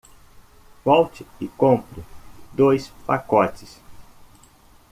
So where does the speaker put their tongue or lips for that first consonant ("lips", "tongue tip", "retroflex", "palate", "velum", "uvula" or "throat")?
lips